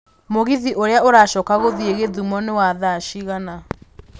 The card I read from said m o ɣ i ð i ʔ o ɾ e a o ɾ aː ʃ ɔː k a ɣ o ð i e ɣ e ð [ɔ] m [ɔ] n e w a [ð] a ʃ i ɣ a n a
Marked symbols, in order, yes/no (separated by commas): no, yes, yes